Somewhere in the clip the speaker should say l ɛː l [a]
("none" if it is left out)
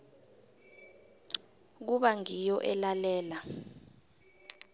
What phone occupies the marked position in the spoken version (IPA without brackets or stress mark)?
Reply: a